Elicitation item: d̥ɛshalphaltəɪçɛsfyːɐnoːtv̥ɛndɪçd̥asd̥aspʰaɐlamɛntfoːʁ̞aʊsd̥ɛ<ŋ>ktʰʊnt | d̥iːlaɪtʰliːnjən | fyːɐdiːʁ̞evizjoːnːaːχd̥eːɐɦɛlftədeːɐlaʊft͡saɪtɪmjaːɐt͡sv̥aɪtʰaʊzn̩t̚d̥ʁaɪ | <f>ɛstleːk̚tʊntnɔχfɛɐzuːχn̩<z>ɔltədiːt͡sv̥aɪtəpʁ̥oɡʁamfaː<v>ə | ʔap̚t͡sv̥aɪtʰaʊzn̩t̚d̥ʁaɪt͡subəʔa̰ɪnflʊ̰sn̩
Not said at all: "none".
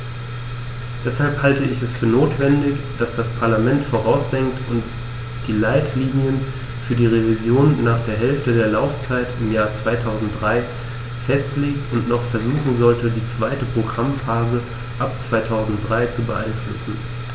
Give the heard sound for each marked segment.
ŋ, f, z, z

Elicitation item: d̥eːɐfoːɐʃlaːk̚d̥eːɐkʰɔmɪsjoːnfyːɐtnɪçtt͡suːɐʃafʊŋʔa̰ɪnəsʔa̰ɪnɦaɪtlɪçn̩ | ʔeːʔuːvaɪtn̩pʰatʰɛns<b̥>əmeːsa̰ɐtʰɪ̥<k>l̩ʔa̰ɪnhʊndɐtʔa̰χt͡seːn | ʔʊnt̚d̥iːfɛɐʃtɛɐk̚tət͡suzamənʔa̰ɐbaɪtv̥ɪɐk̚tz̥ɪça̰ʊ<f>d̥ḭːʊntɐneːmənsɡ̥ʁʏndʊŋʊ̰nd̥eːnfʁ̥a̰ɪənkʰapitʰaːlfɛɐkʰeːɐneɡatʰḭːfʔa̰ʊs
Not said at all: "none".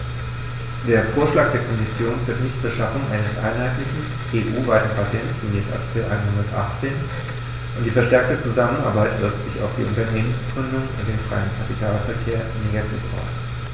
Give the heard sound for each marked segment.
ɡ̥, k, f

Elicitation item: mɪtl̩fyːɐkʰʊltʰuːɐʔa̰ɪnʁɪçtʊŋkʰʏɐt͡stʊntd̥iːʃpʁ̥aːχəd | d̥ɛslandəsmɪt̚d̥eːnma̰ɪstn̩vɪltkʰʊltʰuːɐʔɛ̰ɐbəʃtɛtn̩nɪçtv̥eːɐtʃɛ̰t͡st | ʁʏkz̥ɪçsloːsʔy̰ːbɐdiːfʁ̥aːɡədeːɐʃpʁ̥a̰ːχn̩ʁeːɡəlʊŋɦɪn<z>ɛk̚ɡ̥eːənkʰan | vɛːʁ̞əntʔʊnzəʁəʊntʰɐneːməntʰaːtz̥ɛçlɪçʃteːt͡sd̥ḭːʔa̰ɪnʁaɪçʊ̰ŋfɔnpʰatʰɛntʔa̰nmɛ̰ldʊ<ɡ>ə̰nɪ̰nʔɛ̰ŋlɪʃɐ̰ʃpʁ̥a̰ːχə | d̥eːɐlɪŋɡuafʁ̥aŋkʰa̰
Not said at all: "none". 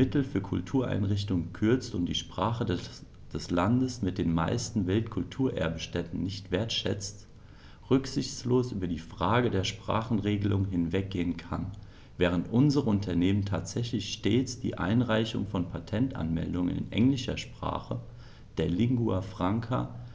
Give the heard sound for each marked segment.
v, ŋ

